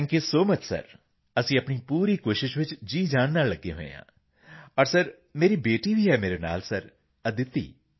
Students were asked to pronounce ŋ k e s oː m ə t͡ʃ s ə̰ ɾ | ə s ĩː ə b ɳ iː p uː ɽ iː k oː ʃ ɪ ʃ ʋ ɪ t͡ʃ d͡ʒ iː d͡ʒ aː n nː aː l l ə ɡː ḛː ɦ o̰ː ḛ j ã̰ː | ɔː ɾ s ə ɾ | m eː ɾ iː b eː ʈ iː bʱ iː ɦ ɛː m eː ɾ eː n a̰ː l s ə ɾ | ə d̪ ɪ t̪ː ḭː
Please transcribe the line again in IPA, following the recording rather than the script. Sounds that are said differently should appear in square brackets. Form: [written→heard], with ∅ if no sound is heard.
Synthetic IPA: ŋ k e s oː m ə t͡ʃ s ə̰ ɾ | ə s ĩː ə [b→p] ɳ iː p uː [ɽ→ɾ] iː k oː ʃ ɪ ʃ ʋ ɪ t͡ʃ d͡ʒ iː d͡ʒ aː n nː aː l l ə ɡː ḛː ɦ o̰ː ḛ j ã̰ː | ɔː ɾ s ə ɾ | m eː ɾ iː b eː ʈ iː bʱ iː ɦ ɛː m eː ɾ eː n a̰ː l s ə ɾ | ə d̪ ɪ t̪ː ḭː